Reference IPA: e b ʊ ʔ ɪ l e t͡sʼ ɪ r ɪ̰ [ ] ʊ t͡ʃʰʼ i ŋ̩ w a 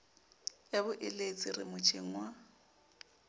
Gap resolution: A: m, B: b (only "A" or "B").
A